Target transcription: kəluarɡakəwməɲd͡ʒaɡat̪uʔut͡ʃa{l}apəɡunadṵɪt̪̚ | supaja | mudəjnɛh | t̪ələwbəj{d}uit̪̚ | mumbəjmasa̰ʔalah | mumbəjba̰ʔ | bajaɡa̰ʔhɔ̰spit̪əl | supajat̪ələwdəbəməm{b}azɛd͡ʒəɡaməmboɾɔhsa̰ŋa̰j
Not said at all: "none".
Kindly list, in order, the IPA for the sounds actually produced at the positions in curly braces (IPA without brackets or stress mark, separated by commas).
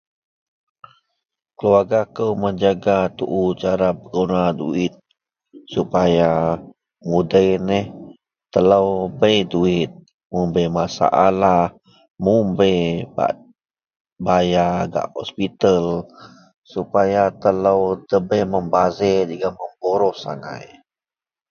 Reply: ɾ, d, b